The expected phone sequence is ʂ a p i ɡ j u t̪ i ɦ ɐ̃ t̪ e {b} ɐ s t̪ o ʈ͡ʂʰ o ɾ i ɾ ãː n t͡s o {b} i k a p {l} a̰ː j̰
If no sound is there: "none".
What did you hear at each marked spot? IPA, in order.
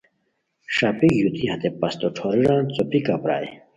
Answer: p, p, ɾ

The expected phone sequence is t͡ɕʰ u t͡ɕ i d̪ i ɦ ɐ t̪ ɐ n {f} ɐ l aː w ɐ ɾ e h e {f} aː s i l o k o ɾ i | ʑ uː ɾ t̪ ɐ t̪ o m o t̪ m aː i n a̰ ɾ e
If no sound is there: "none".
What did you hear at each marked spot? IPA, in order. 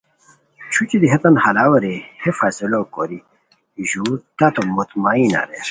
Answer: h, f

